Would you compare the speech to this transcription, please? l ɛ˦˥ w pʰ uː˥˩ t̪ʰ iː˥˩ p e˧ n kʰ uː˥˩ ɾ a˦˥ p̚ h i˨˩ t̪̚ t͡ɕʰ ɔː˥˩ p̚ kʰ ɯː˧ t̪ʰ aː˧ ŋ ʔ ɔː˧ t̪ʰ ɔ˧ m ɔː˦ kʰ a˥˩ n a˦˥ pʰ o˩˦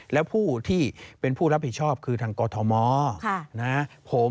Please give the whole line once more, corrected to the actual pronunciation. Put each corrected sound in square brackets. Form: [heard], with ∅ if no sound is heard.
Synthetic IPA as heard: l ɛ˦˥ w pʰ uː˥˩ t̪ʰ iː˥˩ p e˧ n [pʰ] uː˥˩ ɾ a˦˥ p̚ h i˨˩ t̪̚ t͡ɕʰ ɔː˥˩ p̚ kʰ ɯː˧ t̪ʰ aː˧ ŋ [k] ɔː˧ t̪ʰ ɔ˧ m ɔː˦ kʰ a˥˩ n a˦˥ pʰ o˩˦